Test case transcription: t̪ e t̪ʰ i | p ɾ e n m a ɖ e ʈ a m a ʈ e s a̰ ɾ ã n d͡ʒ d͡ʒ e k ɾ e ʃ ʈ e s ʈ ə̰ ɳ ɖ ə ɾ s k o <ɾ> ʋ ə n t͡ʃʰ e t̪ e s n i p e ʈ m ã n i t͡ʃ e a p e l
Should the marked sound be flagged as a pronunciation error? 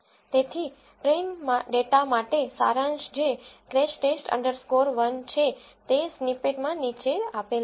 no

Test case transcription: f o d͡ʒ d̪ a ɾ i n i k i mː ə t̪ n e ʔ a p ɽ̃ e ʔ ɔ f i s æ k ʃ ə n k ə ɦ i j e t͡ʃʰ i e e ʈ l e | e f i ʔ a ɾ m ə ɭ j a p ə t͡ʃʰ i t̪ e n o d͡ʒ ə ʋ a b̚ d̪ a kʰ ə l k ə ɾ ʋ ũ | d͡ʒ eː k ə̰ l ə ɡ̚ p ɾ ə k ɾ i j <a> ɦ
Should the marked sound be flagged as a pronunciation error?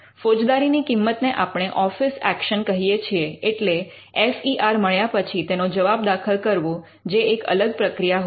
no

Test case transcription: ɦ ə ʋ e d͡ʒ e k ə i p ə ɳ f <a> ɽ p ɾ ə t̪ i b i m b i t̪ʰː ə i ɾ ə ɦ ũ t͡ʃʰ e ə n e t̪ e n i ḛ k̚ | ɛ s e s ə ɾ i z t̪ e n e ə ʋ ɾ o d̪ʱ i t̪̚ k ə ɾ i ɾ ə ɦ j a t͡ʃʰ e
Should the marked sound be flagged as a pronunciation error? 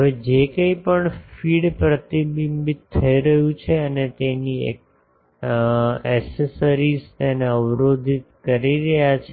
yes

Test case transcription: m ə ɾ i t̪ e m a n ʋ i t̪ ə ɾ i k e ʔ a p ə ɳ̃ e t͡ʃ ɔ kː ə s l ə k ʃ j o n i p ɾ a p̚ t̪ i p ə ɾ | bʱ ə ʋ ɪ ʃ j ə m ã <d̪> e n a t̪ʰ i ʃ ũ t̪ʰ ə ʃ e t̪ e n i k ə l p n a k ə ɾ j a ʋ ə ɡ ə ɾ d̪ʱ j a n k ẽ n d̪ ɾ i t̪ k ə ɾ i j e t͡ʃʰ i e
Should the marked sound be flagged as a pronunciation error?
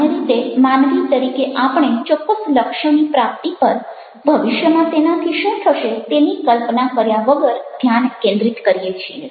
yes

